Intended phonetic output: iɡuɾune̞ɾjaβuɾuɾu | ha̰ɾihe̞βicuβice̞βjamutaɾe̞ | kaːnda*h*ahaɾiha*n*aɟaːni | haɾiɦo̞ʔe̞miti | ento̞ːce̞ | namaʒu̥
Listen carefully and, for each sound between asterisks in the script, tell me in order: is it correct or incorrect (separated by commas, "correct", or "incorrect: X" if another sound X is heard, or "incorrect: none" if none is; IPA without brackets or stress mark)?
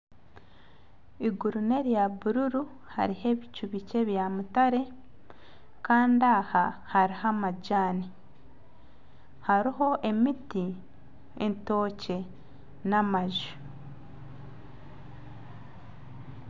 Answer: correct, incorrect: m